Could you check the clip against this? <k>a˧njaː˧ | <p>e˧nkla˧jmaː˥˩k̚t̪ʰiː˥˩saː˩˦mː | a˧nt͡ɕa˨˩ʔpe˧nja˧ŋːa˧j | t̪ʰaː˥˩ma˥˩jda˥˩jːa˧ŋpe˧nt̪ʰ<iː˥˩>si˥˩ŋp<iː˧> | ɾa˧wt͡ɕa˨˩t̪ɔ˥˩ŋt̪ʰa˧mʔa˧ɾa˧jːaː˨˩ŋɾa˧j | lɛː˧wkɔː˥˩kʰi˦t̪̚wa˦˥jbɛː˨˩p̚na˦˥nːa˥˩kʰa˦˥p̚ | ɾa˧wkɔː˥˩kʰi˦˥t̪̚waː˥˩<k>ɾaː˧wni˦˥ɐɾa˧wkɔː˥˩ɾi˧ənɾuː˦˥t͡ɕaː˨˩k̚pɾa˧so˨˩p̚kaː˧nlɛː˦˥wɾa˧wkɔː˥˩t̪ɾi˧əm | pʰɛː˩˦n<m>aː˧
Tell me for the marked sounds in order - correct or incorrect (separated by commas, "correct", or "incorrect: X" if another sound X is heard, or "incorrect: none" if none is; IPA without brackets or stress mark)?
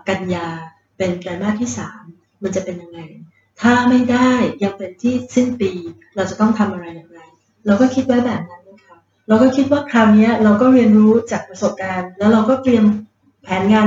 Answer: correct, correct, correct, correct, incorrect: kʰ, incorrect: ŋ